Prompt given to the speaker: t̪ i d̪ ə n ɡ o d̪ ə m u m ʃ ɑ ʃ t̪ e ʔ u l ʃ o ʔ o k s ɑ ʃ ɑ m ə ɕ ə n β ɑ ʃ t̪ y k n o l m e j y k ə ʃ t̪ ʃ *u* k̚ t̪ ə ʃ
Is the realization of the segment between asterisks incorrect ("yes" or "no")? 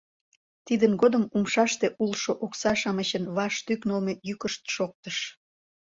yes